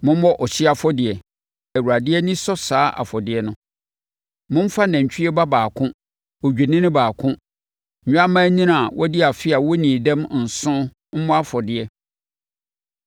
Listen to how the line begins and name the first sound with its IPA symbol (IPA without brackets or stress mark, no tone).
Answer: m